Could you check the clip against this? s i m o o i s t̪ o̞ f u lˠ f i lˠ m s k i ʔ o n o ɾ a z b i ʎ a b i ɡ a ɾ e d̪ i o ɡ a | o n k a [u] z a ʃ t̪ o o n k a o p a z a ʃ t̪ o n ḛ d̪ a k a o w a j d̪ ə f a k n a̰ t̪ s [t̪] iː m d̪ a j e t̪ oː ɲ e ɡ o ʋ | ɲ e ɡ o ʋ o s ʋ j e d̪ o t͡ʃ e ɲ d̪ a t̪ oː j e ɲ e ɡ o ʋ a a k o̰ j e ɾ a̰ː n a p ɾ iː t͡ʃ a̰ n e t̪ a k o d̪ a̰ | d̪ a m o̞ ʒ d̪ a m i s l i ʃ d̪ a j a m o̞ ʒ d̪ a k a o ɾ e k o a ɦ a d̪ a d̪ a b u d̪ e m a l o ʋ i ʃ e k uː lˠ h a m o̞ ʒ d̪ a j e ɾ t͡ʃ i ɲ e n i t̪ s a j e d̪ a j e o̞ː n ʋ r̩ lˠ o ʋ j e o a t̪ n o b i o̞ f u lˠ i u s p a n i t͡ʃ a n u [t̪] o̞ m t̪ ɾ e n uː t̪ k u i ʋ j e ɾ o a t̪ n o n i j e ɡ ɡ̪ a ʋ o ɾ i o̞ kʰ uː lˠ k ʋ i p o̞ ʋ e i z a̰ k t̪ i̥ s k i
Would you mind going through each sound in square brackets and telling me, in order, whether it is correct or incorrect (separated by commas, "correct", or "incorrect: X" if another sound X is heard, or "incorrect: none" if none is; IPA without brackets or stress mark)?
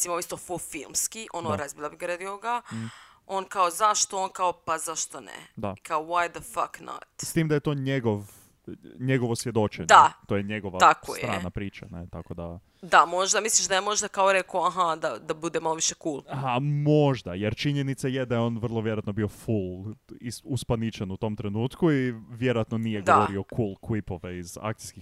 incorrect: o, correct, correct